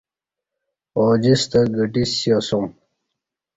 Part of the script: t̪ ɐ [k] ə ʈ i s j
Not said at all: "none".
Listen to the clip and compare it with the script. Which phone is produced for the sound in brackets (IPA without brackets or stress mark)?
ɡ